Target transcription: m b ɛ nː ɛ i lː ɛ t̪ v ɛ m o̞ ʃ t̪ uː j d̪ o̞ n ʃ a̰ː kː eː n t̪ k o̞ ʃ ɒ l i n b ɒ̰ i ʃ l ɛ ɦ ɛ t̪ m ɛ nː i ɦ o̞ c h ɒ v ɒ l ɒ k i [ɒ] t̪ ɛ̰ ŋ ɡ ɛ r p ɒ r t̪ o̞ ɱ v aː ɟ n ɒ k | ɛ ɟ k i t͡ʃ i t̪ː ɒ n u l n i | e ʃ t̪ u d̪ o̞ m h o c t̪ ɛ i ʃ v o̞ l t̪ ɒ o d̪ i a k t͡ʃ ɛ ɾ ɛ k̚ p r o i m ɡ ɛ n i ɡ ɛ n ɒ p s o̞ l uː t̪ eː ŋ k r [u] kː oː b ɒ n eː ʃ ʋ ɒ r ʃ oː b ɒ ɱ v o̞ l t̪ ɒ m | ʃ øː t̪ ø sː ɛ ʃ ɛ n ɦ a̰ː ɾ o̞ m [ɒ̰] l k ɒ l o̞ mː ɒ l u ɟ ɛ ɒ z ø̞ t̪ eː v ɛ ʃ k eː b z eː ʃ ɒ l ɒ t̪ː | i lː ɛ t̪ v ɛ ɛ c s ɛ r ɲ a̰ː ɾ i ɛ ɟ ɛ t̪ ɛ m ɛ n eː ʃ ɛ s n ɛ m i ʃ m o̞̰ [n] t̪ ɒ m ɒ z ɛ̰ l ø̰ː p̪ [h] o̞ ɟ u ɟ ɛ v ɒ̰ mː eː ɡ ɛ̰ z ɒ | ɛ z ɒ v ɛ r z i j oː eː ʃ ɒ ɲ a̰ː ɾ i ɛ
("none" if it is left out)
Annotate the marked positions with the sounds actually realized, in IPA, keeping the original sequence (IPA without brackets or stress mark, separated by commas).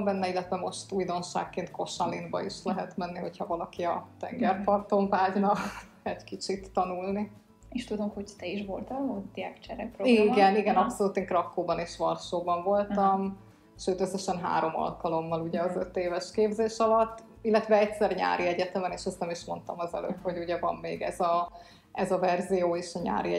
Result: ɒ, ɒ, ɒ̰, n, h